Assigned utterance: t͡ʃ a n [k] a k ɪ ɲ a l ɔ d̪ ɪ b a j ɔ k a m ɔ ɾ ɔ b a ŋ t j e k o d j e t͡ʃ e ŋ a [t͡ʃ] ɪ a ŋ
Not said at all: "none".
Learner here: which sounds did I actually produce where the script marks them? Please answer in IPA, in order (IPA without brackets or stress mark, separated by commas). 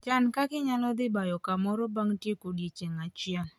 k, t͡ʃ